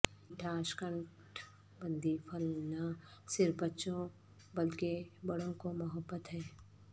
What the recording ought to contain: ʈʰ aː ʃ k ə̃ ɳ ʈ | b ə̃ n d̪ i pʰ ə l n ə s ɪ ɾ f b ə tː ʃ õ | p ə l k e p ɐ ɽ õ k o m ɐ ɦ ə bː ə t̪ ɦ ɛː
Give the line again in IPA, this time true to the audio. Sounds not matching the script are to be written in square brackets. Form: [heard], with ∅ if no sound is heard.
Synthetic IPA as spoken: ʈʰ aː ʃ k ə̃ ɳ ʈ | b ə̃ n d̪ i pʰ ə l n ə s ɪ ɾ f b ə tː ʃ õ | [b] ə l k e [b] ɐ ɽ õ k o m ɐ ɦ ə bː ə t̪ ɦ ɛː